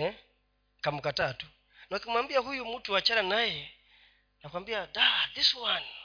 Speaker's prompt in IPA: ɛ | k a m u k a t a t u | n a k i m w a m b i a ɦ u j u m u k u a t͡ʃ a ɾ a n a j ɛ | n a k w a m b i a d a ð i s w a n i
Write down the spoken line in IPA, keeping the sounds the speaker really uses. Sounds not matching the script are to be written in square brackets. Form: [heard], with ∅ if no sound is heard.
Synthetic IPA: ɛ | k a m u k a t a t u | n a k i m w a m b i a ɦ u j u m u [t] u a t͡ʃ a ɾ a n a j ɛ | n a k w a m b i a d a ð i s w a n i